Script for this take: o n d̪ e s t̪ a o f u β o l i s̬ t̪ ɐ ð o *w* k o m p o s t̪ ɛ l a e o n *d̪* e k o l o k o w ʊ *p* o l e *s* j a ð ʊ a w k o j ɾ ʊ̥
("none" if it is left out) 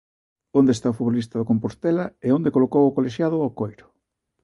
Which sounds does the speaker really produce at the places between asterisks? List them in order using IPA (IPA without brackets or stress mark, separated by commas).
none, d̪, k, ʃ